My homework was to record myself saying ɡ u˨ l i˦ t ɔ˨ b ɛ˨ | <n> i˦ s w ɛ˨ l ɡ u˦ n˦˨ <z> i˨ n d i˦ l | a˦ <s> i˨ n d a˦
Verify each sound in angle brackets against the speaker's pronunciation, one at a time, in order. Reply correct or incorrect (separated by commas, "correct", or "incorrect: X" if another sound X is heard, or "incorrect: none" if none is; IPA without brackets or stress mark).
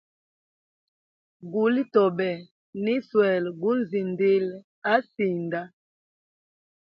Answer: correct, correct, correct